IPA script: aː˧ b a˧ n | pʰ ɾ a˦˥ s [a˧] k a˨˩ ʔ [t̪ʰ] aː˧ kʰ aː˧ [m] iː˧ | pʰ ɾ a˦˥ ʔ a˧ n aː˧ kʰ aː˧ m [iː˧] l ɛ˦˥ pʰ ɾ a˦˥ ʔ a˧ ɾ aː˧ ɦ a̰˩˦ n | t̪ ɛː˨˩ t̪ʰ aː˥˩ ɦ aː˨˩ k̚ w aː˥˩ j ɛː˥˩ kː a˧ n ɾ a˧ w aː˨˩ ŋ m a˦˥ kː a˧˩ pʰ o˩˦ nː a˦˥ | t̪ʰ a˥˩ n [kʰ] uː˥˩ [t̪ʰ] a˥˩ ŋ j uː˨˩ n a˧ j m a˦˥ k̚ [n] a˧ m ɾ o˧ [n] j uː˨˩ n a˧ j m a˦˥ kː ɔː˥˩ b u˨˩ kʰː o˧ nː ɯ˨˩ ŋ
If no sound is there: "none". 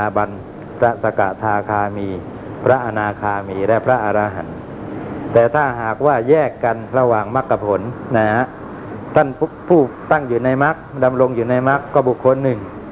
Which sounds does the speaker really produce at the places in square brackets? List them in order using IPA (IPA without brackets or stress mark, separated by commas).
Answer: a˧, t̪ʰ, m, iː˧, pʰ, t̪, d, ŋ